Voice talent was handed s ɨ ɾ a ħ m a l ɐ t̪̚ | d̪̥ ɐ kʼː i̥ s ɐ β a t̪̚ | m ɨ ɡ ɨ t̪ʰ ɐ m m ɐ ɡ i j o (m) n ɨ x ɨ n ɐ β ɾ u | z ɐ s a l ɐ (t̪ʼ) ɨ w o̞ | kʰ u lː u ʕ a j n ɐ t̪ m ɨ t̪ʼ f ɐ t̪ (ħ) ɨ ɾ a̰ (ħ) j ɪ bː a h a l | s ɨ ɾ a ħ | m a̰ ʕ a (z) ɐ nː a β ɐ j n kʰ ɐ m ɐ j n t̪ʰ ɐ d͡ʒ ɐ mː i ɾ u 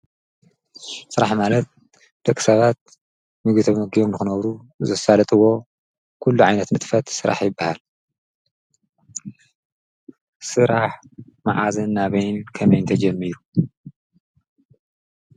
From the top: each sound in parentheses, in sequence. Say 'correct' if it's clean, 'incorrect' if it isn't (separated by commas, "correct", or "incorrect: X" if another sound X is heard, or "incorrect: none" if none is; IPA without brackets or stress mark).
correct, correct, incorrect: s, correct, correct